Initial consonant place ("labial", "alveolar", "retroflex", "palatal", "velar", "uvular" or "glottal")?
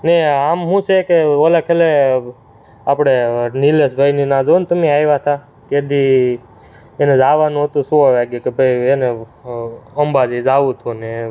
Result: alveolar